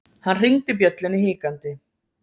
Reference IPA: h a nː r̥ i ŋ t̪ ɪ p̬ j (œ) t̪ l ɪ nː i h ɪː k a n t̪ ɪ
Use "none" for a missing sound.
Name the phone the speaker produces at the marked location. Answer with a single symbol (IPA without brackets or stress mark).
œ